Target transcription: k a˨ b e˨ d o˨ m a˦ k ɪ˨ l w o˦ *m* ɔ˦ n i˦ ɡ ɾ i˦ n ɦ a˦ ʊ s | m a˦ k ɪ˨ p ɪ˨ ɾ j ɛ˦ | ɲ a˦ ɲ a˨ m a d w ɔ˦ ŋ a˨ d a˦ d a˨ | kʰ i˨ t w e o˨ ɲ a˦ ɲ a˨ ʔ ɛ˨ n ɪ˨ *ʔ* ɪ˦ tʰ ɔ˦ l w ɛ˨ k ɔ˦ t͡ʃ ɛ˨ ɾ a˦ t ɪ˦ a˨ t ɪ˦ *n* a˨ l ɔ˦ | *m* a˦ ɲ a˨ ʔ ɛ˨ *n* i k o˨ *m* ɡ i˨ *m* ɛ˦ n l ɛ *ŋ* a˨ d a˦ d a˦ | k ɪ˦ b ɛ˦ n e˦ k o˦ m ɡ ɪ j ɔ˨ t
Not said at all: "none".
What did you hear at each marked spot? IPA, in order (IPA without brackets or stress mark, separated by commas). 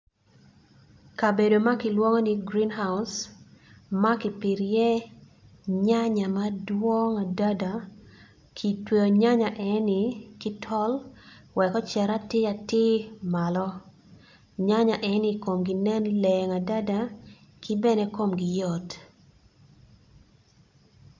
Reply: ŋ, k, m, ɲ, n, m, n, ŋ